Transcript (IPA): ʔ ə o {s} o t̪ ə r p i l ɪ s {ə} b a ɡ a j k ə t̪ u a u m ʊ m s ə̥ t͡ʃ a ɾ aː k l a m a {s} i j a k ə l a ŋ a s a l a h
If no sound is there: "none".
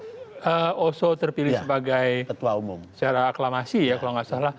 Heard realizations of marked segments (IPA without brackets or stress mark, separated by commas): s, ə, s